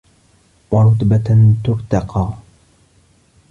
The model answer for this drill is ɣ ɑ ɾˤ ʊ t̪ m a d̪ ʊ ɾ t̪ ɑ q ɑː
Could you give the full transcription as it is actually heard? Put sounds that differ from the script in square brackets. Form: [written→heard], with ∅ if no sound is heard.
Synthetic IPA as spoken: [ɣ→w] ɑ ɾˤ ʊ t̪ [m→b] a [d̪→t̪] ʊ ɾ t̪ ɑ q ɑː